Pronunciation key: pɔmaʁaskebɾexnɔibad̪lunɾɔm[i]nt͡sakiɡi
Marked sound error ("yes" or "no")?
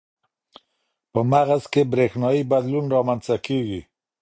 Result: yes